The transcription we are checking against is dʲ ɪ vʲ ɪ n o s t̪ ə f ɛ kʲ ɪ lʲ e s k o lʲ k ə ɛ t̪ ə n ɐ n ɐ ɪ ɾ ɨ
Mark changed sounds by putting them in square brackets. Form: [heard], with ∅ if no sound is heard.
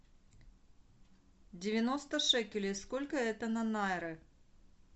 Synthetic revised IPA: dʲ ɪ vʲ ɪ n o s t̪ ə [ʂ] ɛ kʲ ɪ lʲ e s k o lʲ k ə ɛ t̪ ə n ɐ n [a] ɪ ɾ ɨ